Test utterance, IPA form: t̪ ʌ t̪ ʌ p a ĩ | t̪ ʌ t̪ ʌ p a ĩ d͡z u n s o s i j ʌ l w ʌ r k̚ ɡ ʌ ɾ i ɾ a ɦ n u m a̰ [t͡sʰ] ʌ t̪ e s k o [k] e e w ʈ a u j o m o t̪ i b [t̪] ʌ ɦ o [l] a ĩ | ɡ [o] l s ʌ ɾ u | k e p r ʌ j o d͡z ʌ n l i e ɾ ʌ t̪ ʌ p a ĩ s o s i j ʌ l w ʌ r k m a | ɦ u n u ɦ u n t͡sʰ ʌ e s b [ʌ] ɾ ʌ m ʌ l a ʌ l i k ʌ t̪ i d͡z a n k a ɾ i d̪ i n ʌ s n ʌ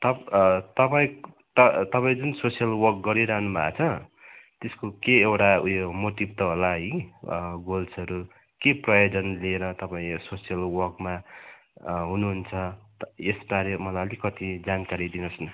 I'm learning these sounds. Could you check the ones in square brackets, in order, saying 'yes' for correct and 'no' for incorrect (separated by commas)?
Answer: yes, yes, yes, yes, yes, no